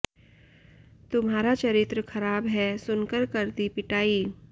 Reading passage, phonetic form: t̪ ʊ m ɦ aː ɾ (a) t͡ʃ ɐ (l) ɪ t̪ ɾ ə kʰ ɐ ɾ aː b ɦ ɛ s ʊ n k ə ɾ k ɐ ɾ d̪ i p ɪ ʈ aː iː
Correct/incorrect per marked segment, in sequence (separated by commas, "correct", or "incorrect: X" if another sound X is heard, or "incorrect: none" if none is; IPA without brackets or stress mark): correct, incorrect: ɾ